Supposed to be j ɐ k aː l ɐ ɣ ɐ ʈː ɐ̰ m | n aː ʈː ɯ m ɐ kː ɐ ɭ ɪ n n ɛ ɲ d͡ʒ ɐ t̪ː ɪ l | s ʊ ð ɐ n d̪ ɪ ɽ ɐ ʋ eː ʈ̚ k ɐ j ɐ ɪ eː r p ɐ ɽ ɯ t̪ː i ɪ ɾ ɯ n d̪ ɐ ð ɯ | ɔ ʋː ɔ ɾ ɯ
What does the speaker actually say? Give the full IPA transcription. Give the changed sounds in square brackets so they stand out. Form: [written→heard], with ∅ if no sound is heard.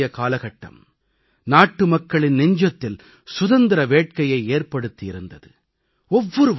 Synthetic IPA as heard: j ɐ k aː l ɐ ɣ ɐ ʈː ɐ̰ m | n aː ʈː ɯ m ɐ kː ɐ ɭ ɪ n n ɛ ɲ d͡ʒ ɐ t̪ː ɪ l | s ʊ ð ɐ n d̪ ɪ [ɽ→ɾ] ɐ ʋ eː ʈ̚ k ɐ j ɐ ɪ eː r p ɐ ɽ ɯ t̪ː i ɪ ɾ ɯ n d̪ ɐ ð ɯ | ɔ ʋː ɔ ɾ ɯ

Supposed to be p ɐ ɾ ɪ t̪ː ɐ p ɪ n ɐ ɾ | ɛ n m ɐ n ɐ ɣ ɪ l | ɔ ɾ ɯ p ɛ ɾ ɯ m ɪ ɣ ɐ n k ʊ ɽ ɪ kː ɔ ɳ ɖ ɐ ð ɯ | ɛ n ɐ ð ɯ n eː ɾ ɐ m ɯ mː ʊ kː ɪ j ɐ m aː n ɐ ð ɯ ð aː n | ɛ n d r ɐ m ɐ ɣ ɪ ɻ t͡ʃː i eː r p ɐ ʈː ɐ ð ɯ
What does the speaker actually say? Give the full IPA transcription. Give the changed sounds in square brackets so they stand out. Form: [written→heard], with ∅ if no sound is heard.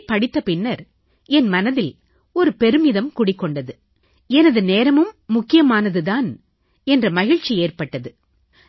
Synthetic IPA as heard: p ɐ [ɾ→ɽ] ɪ t̪ː ɐ p ɪ [n→nː] ɐ ɾ | ɛ n m ɐ n ɐ [ɣ→ð] ɪ l | ɔ ɾ ɯ p ɛ ɾ ɯ m ɪ [ɣ→ð] ɐ [n→m] k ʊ ɽ ɪ kː ɔ ɳ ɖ ɐ ð ɯ | ɛ n ɐ ð ɯ n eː ɾ ɐ m ɯ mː ʊ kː ɪ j ɐ m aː n ɐ ð ɯ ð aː n | ɛ n d r ɐ m ɐ ɣ ɪ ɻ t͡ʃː i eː r p ɐ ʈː ɐ ð ɯ

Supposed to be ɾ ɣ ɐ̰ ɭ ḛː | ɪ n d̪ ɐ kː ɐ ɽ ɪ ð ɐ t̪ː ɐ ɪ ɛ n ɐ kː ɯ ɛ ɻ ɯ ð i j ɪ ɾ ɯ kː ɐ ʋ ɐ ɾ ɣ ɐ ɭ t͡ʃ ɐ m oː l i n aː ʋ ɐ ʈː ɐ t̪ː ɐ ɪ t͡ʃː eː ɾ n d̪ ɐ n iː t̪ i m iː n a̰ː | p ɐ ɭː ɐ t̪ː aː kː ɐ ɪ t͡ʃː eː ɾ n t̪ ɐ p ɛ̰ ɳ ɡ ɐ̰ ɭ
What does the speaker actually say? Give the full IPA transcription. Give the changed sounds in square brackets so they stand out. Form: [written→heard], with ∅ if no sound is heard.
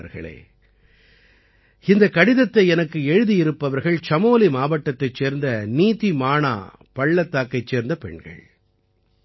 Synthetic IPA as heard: ɾ ɣ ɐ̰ ɭ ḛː | ɪ n d̪ ɐ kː ɐ ɽ ɪ ð ɐ t̪ː ɐ ɪ ɛ n ɐ kː ɯ ɛ ɻ ɯ ð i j ɪ ɾ ɯ [kː→pː] ɐ ʋ ɐ ɾ ɣ ɐ ɭ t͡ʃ ɐ m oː l i [n→m] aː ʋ ɐ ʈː ɐ t̪ː ɐ ɪ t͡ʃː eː ɾ n d̪ ɐ n iː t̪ i m [iː→aː] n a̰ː | p ɐ ɭː ɐ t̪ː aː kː ɐ ɪ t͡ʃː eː ɾ n [t̪→d̪] ɐ p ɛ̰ ɳ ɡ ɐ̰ ɭ

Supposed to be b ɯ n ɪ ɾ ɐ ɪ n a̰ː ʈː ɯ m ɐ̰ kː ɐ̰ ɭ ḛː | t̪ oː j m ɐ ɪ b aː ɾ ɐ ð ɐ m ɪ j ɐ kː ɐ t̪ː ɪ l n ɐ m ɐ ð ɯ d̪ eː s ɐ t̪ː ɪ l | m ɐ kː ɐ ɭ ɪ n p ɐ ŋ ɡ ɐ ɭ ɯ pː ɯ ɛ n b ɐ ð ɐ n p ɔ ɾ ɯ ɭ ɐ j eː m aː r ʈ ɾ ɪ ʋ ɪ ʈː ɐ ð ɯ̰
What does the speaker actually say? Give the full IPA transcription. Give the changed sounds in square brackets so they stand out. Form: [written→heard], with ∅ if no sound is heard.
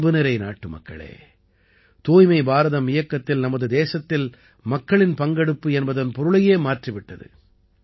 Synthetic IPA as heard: b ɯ n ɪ ɾ ɐ ɪ n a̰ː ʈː ɯ m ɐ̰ kː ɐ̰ ɭ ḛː | t̪ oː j m ɐ ɪ b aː ɾ ɐ ð ɐ m ɪ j ɐ kː ɐ t̪ː ɪ l n ɐ m ɐ ð ɯ d̪ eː s ɐ t̪ː ɪ l | m ɐ kː ɐ ɭ ɪ n p ɐ ŋ ɡ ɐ [ɭ→ɽ] ɯ pː ɯ ɛ n b ɐ ð ɐ n p ɔ ɾ ɯ ɭ ɐ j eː m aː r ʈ [ɾ→r] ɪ ʋ ɪ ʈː ɐ ð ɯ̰

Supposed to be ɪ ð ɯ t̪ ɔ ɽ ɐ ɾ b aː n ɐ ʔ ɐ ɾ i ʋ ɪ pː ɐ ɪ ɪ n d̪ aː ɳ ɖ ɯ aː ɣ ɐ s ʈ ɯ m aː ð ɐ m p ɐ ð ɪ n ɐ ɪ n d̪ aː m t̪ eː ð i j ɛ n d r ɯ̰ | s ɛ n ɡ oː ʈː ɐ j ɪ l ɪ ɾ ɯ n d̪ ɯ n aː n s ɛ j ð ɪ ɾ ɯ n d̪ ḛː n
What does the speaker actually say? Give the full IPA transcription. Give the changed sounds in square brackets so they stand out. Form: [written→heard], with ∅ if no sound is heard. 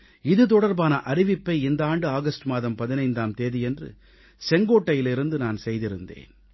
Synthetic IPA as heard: ɪ ð ɯ t̪ ɔ ɽ ɐ ɾ b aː n ɐ ʔ ɐ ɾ [i→ɪ] ʋ ɪ pː ɐ ɪ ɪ n d̪ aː ɳ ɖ ɯ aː ɣ ɐ s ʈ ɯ m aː ð ɐ m p ɐ ð ɪ n ɐ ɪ n d̪ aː m t̪ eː ð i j ɛ n d r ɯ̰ | s ɛ [n→ŋ] ɡ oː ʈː ɐ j ɪ l ɪ ɾ ɯ n d̪ ɯ n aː n s ɛ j ð ɪ ɾ ɯ n d̪ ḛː n

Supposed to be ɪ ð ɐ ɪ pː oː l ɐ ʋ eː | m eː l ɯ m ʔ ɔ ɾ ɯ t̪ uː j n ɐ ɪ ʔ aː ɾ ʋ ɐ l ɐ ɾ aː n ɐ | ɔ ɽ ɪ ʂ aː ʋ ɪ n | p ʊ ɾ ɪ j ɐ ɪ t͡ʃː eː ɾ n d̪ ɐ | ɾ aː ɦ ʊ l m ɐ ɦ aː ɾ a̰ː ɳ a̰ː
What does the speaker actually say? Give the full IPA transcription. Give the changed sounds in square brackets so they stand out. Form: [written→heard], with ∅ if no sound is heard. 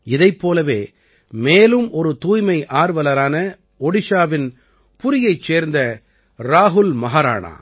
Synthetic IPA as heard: ɪ ð ɐ ɪ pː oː l ɐ ʋ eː | m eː l ɯ m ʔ ɔ ɾ ɯ t̪ uː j [n→m] ɐ ɪ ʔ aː ɾ ʋ ɐ l ɐ ɾ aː n ɐ | ɔ ɽ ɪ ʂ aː ʋ ɪ n | p ʊ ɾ ɪ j ɐ ɪ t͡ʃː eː ɾ n d̪ ɐ | ɾ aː ɦ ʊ l m ɐ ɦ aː ɾ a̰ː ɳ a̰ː

